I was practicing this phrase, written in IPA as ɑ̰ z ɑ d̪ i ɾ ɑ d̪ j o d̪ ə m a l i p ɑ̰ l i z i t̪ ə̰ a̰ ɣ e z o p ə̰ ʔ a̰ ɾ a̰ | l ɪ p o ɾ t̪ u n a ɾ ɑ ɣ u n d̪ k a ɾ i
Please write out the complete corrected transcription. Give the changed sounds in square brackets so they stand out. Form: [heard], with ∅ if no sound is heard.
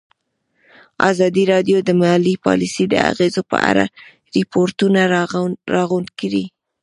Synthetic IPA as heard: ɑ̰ z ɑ d̪ i ɾ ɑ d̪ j o d̪ ə m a l i p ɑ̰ l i [s] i [d̪] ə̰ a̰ ɣ e z o p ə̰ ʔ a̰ ɾ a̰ | [ɾ] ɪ p o ɾ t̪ u n a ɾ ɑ ɣ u n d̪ k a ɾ i